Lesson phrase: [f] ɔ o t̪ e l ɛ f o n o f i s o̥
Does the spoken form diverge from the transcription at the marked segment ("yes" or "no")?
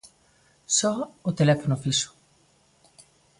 yes